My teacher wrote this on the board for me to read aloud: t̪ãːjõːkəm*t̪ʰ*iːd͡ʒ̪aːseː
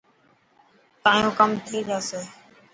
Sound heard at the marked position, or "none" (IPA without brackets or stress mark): t̪ʰ